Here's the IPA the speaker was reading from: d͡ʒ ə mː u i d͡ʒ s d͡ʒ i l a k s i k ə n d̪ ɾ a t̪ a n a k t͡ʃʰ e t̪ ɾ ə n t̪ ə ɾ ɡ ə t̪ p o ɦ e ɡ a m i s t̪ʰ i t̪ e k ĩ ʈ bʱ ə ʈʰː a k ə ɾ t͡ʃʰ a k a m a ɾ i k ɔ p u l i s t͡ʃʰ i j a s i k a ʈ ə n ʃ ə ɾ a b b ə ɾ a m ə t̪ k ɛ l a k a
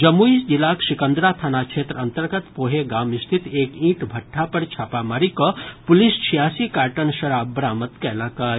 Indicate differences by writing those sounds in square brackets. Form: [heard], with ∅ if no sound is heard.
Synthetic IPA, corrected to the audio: d͡ʒ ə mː u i [∅] s d͡ʒ i l a k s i k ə n d̪ ɾ a [t̪ʰ] a n a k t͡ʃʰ e t̪ ɾ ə n t̪ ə ɾ ɡ ə t̪ p o ɦ e ɡ a m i s t̪ʰ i t̪ e k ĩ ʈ bʱ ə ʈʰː a [p] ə ɾ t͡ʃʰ a [p] a m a ɾ i k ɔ p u l i s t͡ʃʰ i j a s i k a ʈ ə n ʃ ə ɾ a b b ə ɾ a m ə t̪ k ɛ l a k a